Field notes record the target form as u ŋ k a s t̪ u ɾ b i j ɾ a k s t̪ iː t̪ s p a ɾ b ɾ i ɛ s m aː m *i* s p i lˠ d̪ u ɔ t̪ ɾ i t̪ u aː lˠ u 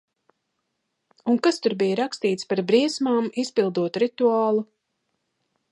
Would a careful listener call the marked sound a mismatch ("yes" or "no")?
no